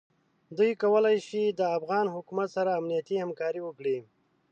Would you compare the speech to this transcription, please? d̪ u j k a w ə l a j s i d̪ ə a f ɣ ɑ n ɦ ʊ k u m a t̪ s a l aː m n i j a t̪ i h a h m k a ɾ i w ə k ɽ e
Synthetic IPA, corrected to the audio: d̪ u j k a w ə l a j ʃ i d̪ ə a f ɣ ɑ n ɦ ʊ k u m a t̪ s a ɾ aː m n i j a t̪ i h a m k ɑ ɾ i w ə k ɽ i